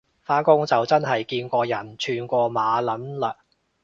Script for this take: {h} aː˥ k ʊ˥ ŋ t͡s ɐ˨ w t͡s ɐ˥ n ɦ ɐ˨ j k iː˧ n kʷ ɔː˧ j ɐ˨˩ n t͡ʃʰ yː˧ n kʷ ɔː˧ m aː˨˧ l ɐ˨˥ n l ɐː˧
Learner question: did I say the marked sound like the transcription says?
no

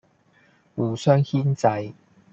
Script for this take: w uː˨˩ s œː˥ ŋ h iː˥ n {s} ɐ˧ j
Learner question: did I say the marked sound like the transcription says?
no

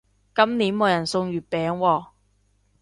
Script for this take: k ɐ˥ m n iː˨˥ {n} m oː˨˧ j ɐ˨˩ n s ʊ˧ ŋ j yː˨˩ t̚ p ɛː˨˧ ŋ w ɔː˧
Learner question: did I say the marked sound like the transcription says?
yes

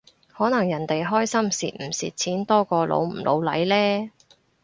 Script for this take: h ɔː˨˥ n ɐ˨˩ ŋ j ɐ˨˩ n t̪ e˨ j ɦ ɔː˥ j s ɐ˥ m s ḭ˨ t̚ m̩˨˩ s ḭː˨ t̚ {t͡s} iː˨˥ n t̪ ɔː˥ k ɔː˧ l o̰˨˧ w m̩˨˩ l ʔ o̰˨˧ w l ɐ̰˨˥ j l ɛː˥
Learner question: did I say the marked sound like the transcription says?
no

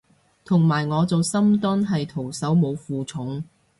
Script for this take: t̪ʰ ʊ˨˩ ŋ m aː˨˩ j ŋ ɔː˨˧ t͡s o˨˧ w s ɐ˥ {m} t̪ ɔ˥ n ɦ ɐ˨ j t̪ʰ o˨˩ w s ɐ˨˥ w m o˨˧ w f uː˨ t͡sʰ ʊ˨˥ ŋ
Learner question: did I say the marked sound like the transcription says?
yes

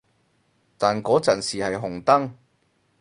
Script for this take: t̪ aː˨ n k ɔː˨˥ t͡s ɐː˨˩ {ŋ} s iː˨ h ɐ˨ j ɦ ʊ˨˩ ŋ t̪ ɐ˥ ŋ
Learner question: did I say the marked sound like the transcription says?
no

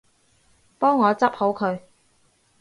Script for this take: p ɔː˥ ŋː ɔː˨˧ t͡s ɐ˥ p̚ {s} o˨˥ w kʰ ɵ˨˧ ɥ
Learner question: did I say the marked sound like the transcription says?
no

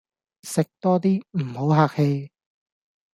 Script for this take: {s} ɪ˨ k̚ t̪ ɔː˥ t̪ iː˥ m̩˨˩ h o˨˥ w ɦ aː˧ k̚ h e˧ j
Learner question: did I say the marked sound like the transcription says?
yes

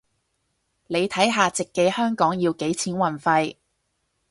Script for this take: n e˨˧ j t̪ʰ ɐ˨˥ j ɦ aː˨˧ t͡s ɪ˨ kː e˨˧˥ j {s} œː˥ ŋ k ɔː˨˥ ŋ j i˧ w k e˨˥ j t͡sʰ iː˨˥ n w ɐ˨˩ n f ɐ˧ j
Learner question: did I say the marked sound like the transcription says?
no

